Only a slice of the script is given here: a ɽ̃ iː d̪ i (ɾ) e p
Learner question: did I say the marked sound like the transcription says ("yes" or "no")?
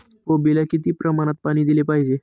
no